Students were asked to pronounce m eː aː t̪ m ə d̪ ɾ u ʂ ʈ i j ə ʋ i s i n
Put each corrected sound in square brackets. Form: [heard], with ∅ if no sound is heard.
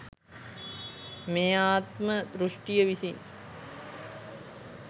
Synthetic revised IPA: m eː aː t̪ m ə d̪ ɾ u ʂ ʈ i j ə ʋ i s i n